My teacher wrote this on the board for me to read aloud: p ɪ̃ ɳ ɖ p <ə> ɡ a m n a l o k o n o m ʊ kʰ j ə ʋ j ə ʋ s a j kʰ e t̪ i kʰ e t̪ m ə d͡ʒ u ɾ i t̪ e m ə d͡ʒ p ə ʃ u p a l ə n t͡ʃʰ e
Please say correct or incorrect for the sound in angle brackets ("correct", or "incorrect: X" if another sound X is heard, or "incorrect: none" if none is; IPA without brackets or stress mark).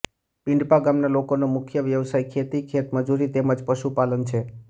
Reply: incorrect: a